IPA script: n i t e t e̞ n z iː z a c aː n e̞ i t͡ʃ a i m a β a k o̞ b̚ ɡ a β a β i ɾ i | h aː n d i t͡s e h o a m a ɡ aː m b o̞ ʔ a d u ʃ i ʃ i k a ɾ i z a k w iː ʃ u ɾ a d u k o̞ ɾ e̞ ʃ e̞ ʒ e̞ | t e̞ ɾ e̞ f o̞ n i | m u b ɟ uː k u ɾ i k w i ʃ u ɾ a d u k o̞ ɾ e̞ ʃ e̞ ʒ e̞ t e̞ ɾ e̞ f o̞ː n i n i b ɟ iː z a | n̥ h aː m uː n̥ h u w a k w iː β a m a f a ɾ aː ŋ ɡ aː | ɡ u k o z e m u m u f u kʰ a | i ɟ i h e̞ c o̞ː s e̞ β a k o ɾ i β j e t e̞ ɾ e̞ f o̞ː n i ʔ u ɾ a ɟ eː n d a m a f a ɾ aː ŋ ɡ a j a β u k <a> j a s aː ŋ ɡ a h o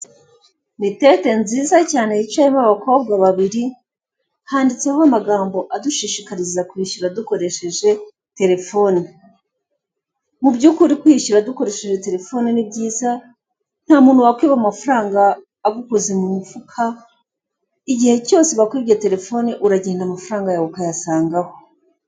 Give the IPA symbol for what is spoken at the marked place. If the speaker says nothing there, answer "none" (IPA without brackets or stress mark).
a